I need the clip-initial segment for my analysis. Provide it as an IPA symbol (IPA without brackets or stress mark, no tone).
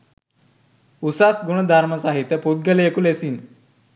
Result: u